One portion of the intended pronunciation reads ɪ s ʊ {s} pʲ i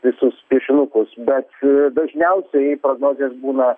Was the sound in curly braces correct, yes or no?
yes